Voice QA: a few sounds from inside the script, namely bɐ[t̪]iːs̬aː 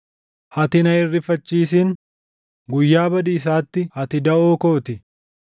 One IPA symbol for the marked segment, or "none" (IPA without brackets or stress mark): d̪